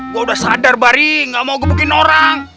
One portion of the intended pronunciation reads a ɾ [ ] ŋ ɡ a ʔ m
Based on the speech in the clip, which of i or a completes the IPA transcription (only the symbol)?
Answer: i